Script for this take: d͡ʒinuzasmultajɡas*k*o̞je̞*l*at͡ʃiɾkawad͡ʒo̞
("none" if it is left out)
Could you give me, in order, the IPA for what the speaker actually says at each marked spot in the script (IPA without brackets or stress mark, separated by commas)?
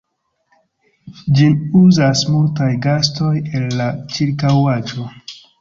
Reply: t, lː